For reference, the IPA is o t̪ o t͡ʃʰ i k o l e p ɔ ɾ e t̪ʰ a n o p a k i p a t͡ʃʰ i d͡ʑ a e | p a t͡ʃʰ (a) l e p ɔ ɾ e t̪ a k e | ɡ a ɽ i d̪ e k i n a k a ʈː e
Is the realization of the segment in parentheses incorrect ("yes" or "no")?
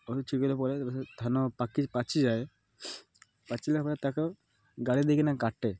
yes